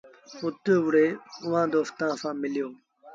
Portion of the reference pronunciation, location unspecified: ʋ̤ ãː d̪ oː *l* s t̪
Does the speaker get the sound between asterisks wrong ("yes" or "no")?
yes